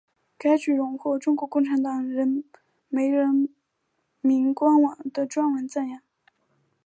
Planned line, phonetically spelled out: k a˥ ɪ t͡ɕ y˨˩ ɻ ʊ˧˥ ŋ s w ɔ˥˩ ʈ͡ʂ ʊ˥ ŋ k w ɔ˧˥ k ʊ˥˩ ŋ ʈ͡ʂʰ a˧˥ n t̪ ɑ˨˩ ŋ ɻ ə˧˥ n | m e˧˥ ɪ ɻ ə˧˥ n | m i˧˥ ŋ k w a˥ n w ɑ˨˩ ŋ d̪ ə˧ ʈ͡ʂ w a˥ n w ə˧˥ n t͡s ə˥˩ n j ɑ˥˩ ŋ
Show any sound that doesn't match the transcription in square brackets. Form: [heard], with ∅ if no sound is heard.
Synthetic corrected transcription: k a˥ ɪ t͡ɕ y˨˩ ɻ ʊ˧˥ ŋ [x] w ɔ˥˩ ʈ͡ʂ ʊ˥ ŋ k w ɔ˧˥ k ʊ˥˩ ŋ ʈ͡ʂʰ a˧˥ n t̪ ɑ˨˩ ŋ ɻ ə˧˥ n | m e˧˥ ɪ ɻ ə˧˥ n | m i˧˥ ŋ k w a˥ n w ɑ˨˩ ŋ d̪ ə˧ ʈ͡ʂ w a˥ n w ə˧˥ n t͡s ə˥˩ n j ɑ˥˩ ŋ